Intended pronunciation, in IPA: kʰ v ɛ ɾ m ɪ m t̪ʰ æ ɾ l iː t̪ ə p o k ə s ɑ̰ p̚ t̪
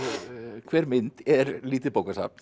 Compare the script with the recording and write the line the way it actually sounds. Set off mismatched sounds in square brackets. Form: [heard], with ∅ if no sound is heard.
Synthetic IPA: kʰ [ʋ] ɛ ɾ m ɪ [n] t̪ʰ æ ɾ l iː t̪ ə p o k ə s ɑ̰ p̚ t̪